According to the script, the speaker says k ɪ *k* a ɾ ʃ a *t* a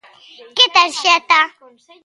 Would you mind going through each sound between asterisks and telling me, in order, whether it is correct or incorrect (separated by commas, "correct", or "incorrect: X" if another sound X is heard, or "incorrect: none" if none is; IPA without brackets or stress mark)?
incorrect: t, correct